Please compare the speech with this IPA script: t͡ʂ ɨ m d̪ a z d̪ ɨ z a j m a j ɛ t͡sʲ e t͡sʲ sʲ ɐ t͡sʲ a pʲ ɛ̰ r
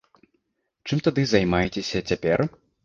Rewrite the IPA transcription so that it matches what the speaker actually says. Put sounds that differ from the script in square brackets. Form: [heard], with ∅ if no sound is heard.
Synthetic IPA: t͡ʂ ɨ m [t̪] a [∅] d̪ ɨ z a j m a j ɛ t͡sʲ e [∅] sʲ ɐ t͡sʲ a pʲ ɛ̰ r